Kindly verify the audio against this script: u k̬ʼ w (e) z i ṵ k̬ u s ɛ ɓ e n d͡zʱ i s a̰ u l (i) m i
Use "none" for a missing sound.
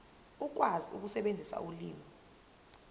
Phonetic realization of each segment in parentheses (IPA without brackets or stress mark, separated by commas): a, iː